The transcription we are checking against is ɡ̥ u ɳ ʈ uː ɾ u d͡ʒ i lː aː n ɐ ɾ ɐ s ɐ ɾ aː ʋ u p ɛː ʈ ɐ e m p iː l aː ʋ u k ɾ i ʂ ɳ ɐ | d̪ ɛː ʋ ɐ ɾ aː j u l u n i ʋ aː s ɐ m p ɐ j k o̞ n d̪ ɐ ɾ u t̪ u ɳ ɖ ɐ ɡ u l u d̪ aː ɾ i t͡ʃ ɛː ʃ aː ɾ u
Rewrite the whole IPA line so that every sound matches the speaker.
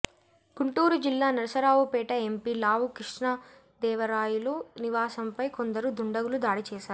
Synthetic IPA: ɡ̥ u ɳ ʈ uː ɾ u d͡ʒ i lː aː n ɐ ɾ ɐ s ɐ ɾ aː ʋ u p ɛː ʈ ɐ e m p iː l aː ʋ u k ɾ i ʂ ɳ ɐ | d̪ ɛː ʋ ɐ ɾ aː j u l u n i ʋ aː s ɐ m p ɐ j k o̞ n d̪ ɐ ɾ u d̪ u ɳ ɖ ɐ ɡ u l u d̪ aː ɽ i t͡ʃ ɛː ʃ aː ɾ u